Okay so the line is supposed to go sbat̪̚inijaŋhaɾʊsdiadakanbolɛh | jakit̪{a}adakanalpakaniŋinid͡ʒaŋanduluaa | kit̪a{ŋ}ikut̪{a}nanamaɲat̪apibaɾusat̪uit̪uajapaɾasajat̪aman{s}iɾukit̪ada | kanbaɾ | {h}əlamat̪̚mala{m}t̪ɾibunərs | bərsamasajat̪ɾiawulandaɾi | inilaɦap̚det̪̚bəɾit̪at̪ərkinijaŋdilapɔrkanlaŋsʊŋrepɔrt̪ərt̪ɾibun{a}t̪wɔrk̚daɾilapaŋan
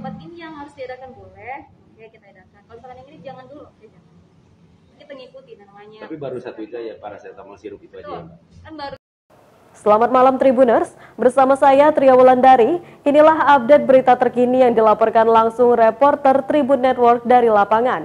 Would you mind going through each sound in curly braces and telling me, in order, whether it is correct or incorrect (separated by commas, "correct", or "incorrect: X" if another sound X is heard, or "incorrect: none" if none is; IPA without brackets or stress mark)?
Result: correct, correct, incorrect: i, correct, incorrect: s, correct, incorrect: ɛ